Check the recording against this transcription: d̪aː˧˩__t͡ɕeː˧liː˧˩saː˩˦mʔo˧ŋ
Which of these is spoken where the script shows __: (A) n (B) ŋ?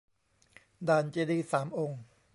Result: A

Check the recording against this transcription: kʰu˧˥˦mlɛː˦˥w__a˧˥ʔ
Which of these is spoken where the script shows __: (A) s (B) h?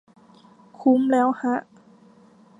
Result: B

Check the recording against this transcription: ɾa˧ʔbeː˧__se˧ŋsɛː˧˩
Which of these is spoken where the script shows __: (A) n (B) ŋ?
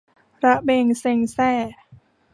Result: B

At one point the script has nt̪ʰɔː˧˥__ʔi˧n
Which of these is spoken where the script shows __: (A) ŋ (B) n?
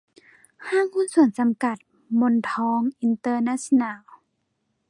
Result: A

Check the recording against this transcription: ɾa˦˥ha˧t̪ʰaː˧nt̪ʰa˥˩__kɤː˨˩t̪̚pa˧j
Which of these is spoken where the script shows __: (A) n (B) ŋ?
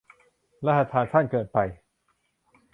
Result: A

